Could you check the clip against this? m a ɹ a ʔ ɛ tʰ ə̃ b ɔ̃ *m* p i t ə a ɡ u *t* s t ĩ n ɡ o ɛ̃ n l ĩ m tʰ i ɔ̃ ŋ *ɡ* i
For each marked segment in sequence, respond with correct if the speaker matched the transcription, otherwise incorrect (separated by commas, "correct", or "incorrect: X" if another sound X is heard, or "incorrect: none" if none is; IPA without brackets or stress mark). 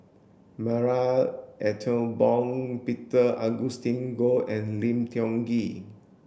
incorrect: ŋ, incorrect: none, correct